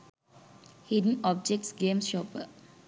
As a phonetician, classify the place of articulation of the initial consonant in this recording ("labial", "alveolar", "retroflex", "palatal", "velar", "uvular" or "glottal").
glottal